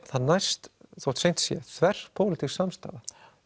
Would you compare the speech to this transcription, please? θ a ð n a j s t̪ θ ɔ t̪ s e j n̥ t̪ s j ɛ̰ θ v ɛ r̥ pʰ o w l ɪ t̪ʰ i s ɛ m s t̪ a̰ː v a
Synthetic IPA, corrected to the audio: θ a ð n a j s t̪ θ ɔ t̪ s e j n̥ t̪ s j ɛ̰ θ v ɛ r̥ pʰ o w l ɪ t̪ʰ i s a m s t̪ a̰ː ð a